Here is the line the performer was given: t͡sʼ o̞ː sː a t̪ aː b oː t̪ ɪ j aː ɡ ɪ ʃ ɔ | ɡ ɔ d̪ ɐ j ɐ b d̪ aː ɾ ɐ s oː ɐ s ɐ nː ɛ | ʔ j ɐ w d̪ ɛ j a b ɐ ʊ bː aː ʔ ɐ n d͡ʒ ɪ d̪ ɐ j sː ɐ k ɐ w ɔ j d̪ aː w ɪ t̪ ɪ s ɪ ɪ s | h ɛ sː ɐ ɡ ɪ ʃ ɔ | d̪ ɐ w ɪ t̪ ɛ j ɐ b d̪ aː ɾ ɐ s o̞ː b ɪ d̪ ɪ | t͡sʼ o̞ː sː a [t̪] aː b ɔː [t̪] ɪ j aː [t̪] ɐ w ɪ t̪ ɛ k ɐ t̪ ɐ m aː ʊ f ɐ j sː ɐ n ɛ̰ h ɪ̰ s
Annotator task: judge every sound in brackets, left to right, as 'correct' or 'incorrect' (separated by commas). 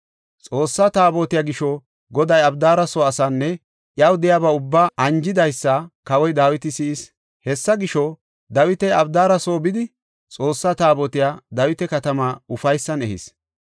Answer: correct, correct, incorrect